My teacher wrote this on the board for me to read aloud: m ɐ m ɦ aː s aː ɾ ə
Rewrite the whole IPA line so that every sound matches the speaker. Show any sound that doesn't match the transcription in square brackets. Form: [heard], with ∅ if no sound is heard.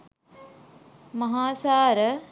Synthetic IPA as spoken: m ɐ [∅] ɦ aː s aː ɾ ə